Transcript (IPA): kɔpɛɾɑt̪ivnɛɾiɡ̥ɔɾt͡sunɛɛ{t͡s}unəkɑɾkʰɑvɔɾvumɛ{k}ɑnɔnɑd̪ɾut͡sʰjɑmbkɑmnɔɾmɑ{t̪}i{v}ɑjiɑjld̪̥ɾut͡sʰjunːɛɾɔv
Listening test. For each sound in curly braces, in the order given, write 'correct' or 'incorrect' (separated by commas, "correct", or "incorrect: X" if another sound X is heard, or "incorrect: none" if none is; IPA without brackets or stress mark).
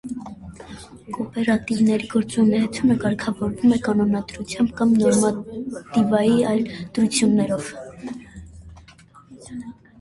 incorrect: t͡sʰ, correct, correct, correct